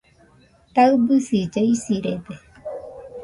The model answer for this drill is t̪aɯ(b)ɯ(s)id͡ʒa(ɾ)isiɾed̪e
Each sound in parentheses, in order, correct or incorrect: correct, correct, incorrect

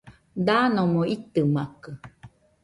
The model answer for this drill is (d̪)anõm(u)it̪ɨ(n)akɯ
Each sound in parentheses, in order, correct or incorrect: correct, incorrect, incorrect

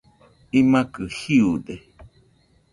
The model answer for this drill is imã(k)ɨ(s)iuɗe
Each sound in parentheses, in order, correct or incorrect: correct, incorrect

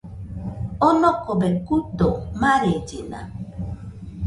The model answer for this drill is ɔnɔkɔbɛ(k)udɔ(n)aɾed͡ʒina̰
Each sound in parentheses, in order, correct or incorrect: correct, incorrect

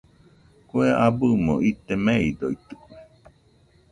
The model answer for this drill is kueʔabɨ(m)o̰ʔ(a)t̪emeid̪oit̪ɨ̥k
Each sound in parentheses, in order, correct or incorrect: correct, incorrect

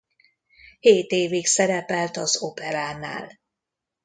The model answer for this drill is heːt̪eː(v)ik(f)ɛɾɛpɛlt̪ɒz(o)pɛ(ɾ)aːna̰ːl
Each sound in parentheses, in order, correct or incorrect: correct, incorrect, correct, correct

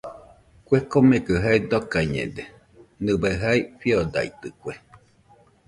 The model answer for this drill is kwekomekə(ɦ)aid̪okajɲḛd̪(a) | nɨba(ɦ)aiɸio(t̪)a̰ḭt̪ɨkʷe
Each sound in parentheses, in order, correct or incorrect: correct, incorrect, correct, incorrect

